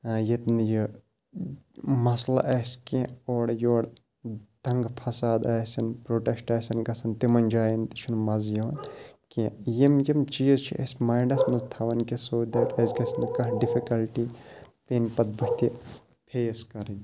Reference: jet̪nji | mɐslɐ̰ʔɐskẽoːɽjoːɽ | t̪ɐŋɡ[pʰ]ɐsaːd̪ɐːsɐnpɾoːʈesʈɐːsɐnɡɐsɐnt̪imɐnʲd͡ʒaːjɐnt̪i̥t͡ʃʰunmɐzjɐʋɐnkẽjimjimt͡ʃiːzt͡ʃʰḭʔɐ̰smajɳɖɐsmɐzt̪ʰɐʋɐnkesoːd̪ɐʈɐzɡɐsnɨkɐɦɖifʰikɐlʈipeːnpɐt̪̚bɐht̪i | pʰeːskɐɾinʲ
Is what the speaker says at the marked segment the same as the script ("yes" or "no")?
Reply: yes